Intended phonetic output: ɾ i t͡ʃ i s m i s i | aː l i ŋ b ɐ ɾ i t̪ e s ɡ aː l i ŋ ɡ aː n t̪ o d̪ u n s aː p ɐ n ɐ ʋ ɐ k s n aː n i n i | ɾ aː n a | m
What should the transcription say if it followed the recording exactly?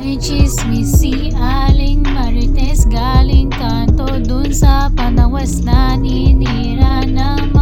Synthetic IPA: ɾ i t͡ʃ i s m i s i | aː l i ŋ m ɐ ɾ i t̪ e s ɡ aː l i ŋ k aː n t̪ o d̪ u n s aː p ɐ n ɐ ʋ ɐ s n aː n i n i | ɾ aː n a | m